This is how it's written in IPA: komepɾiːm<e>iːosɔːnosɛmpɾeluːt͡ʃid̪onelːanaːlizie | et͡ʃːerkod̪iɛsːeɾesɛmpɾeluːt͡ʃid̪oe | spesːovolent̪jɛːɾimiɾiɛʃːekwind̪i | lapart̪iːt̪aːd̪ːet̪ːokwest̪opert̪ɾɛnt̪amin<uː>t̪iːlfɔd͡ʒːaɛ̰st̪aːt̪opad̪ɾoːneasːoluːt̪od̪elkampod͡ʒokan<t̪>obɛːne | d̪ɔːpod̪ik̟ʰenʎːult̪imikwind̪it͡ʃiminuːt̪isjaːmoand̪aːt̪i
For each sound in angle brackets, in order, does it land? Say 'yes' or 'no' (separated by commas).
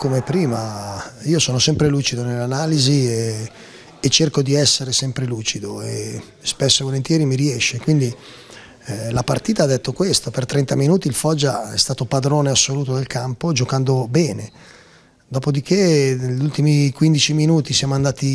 no, yes, no